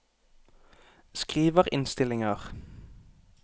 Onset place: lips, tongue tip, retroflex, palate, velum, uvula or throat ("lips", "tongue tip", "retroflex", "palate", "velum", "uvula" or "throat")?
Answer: tongue tip